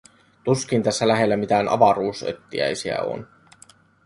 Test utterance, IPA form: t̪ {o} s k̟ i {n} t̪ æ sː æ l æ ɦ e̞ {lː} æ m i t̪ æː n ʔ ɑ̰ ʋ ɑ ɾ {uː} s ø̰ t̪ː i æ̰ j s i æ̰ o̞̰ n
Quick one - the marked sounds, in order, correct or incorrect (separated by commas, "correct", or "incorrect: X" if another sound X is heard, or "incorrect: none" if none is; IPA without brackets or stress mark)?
incorrect: u, correct, correct, correct